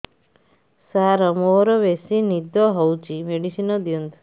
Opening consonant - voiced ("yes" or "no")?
no